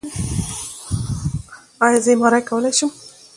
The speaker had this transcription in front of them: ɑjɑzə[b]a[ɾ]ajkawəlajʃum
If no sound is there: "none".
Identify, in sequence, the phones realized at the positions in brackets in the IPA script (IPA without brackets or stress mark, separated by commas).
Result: m, ɾ